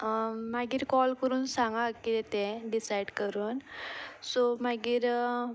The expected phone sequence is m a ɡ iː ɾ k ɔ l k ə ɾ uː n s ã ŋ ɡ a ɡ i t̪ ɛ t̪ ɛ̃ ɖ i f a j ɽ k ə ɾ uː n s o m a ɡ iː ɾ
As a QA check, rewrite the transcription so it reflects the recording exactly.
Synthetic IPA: m a ɡ iː ɾ k ɔ l k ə ɾ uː n s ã ŋ ɡ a k i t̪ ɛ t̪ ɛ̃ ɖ i s a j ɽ k ə ɾ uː n s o m a ɡ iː ɾ